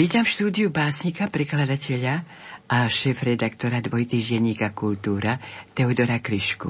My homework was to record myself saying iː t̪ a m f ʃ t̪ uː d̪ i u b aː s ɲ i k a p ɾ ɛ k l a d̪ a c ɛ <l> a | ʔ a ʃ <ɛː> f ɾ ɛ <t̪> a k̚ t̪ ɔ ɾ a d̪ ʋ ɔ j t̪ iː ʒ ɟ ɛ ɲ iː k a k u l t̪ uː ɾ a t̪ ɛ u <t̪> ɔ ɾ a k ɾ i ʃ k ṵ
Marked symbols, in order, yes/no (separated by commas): no, yes, no, no